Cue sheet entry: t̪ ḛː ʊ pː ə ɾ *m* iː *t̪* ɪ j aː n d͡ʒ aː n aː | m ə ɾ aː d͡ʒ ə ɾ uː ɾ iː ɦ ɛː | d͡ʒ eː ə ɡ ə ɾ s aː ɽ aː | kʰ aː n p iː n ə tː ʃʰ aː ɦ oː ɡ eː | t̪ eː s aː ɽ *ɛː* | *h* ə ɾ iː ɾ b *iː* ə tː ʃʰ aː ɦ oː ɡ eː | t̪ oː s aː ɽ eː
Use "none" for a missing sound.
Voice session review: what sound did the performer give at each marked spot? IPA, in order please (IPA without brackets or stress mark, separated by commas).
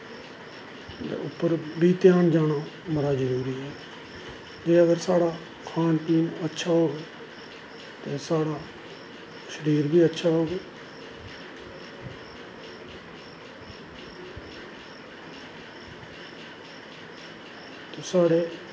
b, t̪, aː, ʃ, iː